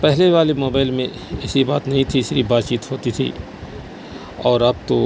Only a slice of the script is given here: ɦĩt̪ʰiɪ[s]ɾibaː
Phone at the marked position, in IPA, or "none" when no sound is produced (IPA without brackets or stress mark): s